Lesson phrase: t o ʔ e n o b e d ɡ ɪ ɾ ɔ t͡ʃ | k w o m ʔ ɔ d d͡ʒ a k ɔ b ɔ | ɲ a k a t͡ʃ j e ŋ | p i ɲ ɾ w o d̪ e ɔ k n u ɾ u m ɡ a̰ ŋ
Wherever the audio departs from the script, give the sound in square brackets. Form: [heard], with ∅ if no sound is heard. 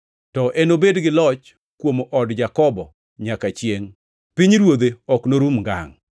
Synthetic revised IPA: t [ɔ] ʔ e n o b e d ɡ ɪ [l] ɔ t͡ʃ | k w o m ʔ ɔ d d͡ʒ a k ɔ b ɔ | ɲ a k a t͡ʃ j e ŋ | p i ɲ ɾ w o d̪ e ɔ k n [o] ɾ u m ɡ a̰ ŋ